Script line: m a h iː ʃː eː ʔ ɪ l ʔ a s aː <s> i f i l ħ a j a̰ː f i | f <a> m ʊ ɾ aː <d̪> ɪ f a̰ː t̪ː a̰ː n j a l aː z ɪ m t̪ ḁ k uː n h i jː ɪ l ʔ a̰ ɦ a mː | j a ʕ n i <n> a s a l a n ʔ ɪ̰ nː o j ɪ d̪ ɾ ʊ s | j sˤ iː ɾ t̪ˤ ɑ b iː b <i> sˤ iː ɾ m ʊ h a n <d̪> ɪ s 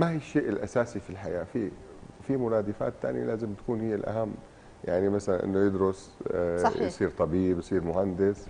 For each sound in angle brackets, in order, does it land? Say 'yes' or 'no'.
yes, no, yes, no, no, yes

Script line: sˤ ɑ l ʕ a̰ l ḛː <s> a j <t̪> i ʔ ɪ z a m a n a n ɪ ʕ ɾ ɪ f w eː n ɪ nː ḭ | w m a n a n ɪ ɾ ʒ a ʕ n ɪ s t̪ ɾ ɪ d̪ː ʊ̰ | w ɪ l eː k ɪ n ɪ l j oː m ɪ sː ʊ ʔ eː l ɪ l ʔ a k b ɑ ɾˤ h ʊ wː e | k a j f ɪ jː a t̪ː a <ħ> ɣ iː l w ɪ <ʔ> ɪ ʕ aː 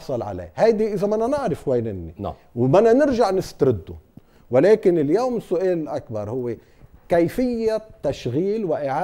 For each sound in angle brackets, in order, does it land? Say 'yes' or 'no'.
no, no, no, yes

